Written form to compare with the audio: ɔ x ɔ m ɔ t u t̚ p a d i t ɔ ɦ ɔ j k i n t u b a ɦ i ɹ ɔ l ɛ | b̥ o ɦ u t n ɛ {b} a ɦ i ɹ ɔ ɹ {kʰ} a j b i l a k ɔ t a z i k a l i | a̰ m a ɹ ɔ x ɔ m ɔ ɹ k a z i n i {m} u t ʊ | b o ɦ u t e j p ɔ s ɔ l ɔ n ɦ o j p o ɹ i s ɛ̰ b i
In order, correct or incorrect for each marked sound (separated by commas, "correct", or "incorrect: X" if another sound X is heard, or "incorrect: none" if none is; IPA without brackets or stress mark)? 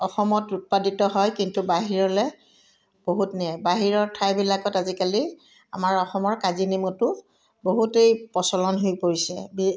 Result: correct, incorrect: tʰ, correct